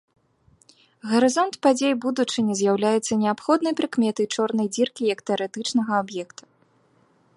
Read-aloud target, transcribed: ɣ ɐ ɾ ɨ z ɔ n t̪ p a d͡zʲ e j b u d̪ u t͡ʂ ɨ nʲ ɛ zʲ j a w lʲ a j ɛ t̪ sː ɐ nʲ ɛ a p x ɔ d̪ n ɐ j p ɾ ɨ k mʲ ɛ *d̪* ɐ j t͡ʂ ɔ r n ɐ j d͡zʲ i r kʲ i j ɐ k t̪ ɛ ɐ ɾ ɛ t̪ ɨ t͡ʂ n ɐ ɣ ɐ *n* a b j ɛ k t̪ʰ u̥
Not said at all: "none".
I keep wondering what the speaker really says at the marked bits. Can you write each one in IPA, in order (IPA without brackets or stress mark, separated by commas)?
t̪, none